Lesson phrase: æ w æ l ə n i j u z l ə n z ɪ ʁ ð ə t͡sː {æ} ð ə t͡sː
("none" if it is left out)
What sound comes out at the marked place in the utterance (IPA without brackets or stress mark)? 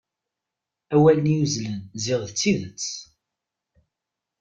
i